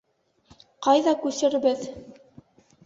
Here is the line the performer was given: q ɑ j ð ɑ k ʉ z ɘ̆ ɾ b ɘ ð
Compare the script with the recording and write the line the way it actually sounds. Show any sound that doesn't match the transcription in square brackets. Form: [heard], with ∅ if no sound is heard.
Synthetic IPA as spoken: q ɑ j ð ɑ k ʉ [s] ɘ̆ ɾ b ɘ ð

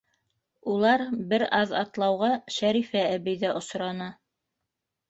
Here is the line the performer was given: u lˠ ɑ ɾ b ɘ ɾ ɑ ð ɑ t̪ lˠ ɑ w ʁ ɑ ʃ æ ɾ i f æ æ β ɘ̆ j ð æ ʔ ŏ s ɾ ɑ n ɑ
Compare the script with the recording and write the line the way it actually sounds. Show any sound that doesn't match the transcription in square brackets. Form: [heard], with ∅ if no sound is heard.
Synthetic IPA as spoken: u lˠ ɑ ɾ b ɘ ɾ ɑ ð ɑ t̪ lˠ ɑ w ʁ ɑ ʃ æ ɾ i f æ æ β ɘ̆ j ð æ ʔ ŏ s ɾ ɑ n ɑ

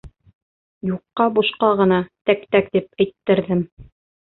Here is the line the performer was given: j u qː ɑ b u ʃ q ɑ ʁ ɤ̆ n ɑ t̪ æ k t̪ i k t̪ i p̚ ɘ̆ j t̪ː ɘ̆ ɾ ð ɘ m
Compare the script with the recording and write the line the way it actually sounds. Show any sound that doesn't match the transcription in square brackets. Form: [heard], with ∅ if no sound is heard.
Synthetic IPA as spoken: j u qː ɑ b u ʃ q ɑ ʁ ɤ̆ n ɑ t̪ æ k t̪ [æ] k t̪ i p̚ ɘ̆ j t̪ː ɘ̆ ɾ ð ɘ m

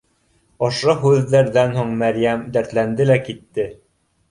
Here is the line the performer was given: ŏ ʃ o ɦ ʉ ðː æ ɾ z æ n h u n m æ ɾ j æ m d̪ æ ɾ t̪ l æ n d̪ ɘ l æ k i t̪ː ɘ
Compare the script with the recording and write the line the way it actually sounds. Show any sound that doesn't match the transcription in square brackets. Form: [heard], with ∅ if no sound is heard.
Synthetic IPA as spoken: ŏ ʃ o ɦ ʉ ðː æ ɾ [ð] æ n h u [ɴ] m æ ɾ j æ m d̪ æ ɾ t̪ l æ n d̪ ɘ l æ k i t̪ː ɘ

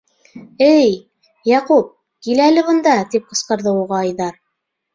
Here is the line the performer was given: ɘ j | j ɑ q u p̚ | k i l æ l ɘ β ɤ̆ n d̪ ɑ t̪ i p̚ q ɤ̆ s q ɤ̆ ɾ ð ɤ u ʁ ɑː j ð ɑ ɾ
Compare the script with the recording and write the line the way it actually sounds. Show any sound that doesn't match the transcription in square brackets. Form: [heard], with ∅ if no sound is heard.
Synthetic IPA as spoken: ɘ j | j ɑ q u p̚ | k i l æ l ɘ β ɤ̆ n d̪ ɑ t̪ i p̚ q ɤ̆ s q ɤ̆ ɾ ð ɤ u ʁ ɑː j ð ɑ ɾ

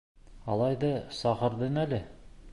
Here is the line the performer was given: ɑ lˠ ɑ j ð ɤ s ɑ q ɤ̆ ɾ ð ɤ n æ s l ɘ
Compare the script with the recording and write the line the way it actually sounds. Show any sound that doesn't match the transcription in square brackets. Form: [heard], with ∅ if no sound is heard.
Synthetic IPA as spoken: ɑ lˠ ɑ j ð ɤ s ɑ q ɤ̆ ɾ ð ɤ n æ [∅] l ɘ

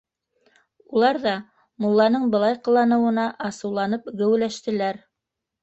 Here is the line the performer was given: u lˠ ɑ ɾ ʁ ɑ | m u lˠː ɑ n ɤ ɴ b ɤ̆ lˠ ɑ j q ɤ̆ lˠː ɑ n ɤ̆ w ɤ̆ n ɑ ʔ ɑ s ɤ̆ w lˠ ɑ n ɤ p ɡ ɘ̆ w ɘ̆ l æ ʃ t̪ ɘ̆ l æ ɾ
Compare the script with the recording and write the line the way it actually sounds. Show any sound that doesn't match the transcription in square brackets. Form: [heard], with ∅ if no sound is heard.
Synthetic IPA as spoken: u lˠ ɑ ɾ [ð] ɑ | m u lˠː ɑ n ɤ ɴ b ɤ̆ lˠ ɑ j q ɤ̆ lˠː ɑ n ɤ̆ w ɤ̆ n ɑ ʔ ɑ s ɤ̆ w lˠ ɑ n ɤ p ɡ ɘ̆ w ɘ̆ l æ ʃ t̪ ɘ̆ l æ ɾ

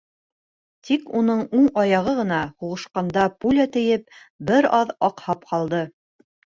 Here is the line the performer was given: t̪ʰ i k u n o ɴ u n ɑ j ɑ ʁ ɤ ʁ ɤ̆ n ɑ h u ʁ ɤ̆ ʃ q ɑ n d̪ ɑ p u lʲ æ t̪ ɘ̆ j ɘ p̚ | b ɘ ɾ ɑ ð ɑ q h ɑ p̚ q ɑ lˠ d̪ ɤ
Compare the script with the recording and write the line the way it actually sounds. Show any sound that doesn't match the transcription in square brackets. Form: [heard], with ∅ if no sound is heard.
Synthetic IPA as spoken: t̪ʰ i k u n [ɤ] ɴ u [ɴ] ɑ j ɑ ʁ ɤ ʁ ɤ̆ n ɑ h u ʁ ɤ̆ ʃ q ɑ n d̪ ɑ p u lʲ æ t̪ ɘ̆ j ɘ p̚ | b ɘ ɾ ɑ ð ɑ q h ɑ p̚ q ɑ lˠ d̪ ɤ

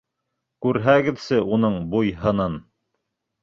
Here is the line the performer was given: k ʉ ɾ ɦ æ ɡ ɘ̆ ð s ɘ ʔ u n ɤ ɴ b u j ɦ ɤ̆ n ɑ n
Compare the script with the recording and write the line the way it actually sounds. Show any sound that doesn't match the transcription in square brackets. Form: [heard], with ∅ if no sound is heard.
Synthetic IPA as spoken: k ʉ ɾ ɦ æ ɡ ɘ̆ ð s ɘ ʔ u n ɤ ɴ b u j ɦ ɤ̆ n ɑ n

